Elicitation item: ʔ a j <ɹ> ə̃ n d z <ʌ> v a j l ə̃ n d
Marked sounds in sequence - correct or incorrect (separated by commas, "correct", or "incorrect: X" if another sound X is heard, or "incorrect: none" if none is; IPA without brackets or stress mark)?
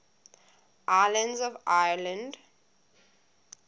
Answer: incorrect: l, incorrect: ɔ